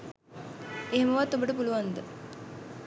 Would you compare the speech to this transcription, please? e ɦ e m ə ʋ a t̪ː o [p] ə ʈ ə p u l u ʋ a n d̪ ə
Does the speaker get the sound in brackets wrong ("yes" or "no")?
yes